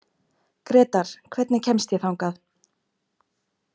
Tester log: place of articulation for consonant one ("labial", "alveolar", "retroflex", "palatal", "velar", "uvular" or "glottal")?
velar